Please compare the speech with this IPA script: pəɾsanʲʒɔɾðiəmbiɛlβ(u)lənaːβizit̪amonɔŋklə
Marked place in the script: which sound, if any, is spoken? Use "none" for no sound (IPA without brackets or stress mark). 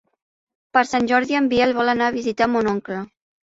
ɔ